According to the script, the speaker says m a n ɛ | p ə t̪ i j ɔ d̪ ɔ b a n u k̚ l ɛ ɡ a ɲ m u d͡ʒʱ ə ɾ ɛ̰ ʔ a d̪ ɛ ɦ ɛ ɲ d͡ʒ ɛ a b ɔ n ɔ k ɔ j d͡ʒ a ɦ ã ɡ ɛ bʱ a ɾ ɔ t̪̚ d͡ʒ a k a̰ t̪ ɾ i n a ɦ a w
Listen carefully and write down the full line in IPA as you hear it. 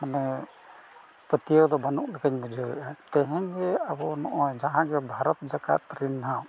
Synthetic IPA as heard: m a n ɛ | p ə t̪ i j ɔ d̪ ɔ b a n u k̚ l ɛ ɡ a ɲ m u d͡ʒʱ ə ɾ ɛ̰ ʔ a t̪ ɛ ɦ ɛ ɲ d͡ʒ ɛ a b ɔ n ɔ ʔ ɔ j d͡ʒ a ɦ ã ɡ ɛ bʱ a ɾ ɔ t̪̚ d͡ʒ a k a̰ t̪ ɾ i n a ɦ a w